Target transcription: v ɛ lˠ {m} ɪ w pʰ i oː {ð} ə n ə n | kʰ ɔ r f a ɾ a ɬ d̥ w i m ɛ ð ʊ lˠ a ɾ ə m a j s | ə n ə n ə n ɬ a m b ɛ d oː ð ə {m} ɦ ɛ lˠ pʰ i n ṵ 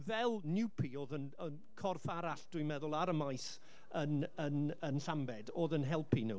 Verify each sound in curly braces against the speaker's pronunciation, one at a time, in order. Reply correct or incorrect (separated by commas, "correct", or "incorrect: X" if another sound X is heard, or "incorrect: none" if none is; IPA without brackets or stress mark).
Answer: incorrect: n, correct, incorrect: n